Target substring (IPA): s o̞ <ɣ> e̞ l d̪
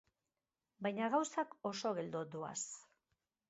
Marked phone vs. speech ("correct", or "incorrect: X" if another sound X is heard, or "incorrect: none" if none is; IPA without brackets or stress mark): correct